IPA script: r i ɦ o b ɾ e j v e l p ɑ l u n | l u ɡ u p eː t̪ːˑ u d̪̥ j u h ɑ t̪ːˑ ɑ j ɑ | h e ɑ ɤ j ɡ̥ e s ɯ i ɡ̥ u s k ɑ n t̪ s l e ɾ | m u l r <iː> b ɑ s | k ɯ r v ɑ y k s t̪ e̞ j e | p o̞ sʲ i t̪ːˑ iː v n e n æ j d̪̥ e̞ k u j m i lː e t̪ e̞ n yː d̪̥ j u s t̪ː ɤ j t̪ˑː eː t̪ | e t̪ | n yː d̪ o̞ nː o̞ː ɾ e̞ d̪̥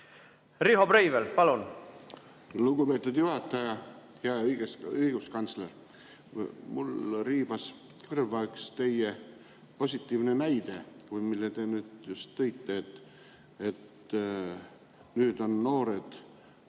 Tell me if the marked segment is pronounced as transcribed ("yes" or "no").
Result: yes